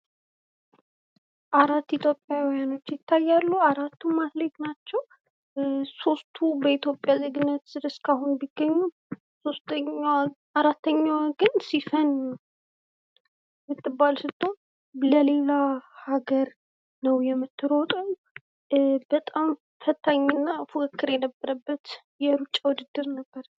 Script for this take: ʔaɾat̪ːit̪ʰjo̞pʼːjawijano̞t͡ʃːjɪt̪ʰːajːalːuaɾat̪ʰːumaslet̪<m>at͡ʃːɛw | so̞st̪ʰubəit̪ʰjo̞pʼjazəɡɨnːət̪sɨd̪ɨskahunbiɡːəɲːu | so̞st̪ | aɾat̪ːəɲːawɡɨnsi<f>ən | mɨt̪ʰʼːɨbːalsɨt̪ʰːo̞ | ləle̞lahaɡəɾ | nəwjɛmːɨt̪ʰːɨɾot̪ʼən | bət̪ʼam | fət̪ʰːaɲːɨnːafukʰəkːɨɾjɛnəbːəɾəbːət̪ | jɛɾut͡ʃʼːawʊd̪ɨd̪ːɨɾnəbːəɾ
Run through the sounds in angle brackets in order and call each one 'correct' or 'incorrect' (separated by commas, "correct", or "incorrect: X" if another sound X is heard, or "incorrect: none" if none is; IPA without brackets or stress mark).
incorrect: n, correct